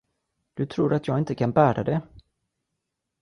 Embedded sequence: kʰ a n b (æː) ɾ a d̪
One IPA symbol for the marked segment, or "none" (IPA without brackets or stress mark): æː